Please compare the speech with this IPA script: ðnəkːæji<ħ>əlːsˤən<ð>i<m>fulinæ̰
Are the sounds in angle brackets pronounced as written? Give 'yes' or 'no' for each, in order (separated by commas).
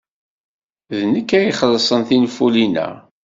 no, no, no